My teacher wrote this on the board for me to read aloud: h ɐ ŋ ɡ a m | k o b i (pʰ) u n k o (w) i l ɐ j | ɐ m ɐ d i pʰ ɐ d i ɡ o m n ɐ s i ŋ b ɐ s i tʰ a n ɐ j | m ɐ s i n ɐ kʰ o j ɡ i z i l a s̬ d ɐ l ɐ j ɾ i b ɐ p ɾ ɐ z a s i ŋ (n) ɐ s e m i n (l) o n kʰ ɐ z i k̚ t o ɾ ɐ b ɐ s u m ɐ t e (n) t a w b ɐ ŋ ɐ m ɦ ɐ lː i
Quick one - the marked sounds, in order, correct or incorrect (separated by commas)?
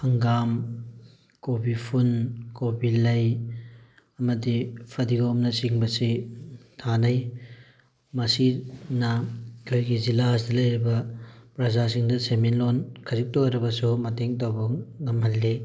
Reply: correct, incorrect, incorrect, correct, incorrect